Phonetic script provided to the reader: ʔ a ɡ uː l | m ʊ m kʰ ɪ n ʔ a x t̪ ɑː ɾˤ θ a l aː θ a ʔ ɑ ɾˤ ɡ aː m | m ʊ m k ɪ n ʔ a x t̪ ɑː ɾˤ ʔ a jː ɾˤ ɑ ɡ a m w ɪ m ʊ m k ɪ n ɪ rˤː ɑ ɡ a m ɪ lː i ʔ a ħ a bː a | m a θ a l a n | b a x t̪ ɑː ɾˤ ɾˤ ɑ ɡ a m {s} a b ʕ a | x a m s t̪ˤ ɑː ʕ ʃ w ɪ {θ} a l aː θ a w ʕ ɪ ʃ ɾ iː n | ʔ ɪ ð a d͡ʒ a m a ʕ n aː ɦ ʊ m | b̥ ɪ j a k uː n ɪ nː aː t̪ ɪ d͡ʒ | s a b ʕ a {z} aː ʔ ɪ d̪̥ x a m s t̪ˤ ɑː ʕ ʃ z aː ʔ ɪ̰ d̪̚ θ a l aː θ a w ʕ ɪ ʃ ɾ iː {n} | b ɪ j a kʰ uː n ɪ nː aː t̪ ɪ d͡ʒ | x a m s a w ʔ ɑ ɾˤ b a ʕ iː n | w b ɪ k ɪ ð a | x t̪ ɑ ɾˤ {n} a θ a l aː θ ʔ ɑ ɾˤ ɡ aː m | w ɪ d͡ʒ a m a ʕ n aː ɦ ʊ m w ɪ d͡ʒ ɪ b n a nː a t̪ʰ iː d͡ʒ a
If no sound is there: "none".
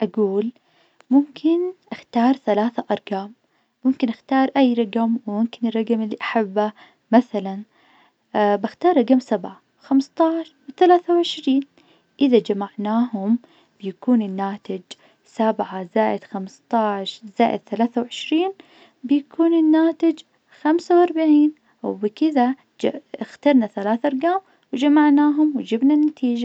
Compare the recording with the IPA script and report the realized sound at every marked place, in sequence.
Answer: s, θ, z, n, n

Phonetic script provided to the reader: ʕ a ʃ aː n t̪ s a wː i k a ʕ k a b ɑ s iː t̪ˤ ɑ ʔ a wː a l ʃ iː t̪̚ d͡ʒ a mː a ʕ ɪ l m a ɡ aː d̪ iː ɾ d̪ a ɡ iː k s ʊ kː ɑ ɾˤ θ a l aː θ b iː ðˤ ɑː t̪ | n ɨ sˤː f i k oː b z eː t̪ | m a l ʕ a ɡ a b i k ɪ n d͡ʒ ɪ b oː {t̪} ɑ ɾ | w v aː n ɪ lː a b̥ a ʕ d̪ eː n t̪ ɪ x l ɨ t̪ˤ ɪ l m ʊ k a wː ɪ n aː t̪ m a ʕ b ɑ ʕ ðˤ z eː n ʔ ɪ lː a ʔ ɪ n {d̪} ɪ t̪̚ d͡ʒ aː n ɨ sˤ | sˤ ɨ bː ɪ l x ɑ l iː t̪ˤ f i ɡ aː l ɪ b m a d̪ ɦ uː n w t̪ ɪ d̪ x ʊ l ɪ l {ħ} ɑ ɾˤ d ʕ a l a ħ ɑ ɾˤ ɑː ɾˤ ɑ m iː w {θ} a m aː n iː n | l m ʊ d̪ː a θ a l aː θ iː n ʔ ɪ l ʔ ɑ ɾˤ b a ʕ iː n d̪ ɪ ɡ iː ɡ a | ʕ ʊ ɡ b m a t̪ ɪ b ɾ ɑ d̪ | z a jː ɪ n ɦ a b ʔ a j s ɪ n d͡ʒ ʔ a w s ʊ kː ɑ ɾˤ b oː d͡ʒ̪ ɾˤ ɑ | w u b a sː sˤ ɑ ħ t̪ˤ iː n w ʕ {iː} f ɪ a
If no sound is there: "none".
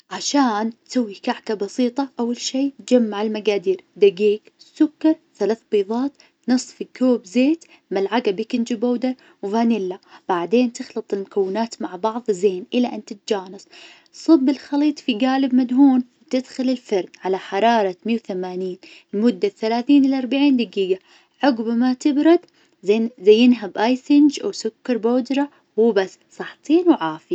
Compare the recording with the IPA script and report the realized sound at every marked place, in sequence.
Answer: d̪, t̪, f, θ, aː

